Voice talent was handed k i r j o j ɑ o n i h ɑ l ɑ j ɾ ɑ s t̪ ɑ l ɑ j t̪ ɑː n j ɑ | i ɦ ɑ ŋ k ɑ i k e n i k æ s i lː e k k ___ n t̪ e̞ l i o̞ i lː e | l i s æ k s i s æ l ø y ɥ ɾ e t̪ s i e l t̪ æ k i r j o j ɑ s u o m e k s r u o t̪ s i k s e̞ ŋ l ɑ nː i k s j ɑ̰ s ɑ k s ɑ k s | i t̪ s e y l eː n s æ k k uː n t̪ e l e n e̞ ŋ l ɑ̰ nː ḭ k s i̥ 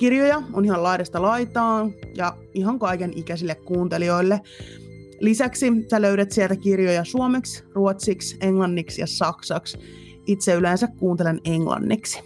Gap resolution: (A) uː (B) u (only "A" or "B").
A